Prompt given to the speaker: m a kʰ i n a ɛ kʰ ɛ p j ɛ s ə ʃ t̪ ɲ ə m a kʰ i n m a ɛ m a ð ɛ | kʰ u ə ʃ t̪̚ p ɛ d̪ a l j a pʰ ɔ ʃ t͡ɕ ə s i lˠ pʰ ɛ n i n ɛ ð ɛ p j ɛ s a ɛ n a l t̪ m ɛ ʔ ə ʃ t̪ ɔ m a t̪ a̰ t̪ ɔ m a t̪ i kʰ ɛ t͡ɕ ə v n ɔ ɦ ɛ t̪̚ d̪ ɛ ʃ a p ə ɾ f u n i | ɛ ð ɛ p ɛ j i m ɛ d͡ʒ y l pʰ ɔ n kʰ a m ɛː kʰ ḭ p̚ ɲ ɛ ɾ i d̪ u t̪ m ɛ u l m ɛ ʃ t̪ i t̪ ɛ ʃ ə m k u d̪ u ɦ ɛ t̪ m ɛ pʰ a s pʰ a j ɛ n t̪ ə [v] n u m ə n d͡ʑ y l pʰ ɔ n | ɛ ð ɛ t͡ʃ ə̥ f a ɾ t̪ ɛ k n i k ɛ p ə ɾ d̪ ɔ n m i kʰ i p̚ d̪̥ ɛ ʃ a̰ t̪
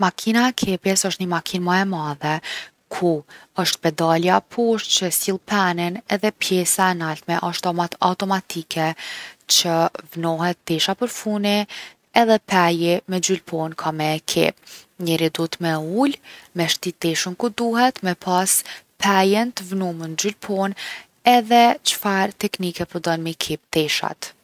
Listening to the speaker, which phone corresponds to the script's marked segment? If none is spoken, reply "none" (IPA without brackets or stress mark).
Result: v